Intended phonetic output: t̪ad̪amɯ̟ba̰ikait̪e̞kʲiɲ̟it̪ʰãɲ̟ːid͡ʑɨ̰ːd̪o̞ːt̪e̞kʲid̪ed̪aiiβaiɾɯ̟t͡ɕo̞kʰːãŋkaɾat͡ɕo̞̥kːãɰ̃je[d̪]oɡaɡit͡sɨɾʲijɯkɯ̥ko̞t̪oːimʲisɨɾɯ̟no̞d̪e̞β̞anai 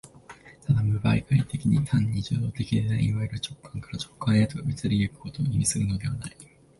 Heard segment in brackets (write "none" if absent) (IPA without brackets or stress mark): t̪